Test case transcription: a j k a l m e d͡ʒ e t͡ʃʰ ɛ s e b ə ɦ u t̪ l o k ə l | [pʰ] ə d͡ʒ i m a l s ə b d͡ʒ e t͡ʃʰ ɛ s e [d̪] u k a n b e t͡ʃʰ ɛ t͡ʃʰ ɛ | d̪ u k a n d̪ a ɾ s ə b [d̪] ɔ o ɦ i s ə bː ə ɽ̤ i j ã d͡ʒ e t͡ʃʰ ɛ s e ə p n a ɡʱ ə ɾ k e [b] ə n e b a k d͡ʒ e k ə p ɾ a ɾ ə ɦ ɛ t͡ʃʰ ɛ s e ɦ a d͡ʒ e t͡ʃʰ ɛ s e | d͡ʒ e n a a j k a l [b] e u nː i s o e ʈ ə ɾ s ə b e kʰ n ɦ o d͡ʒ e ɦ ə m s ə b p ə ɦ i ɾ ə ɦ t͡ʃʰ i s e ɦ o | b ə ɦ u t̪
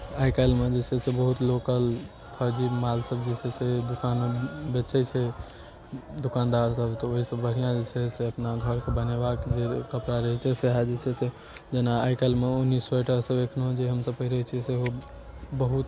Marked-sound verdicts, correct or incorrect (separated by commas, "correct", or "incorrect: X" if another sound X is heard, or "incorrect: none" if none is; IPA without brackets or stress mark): correct, correct, incorrect: t̪, correct, incorrect: m